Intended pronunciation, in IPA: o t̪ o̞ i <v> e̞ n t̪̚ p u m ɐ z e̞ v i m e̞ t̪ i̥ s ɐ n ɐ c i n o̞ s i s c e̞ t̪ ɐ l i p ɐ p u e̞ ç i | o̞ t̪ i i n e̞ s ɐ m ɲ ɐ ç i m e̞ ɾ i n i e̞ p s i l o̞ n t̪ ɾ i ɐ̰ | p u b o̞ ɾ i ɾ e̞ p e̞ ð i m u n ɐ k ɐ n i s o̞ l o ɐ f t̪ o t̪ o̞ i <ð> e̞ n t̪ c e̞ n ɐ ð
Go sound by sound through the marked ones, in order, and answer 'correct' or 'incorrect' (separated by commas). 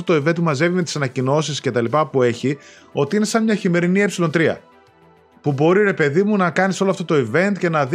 correct, incorrect